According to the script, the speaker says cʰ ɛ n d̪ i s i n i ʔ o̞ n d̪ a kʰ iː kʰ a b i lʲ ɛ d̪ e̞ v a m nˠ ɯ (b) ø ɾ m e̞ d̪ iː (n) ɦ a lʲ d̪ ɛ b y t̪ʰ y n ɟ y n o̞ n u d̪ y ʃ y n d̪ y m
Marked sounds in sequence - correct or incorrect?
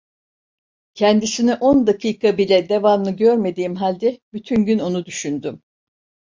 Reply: incorrect, incorrect

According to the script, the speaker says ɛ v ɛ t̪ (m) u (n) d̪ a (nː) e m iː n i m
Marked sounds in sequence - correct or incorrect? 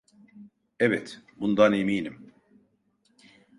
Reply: incorrect, correct, incorrect

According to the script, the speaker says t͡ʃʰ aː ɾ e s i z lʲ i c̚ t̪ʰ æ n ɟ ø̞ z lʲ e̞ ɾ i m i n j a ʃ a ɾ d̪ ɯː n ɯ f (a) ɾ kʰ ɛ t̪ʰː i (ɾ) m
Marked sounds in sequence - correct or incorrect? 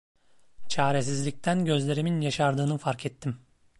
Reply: correct, incorrect

